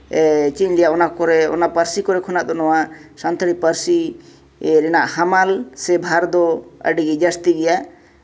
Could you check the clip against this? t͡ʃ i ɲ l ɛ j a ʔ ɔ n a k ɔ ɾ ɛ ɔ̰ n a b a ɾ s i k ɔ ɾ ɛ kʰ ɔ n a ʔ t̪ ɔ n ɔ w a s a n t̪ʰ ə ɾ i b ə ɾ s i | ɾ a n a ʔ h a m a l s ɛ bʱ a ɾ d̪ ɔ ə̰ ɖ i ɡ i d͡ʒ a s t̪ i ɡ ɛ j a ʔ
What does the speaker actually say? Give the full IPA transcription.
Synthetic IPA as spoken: t͡ʃ i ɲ l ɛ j a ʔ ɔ n a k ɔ ɾ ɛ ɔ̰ n a p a ɾ s i k ɔ ɾ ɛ kʰ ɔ n a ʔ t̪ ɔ n ɔ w a s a n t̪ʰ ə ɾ i p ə ɾ s i | ɾ ɛ n a ʔ h a m a l s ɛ bʱ a ɾ d̪ ɔ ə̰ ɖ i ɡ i d͡ʒ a s t̪ i ɡ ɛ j a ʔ